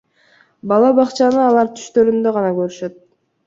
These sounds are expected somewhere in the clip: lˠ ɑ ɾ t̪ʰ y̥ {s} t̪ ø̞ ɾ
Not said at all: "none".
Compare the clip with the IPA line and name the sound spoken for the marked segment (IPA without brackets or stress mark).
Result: ʃ